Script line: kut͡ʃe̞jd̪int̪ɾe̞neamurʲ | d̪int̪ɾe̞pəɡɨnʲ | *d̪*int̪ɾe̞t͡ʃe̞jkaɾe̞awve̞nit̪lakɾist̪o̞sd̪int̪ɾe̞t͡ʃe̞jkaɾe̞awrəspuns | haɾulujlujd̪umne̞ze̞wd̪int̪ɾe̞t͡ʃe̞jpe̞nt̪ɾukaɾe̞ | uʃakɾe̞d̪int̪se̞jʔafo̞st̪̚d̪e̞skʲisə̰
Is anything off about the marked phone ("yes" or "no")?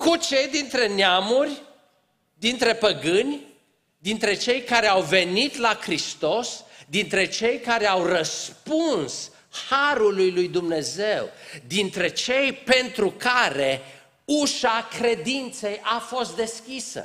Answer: no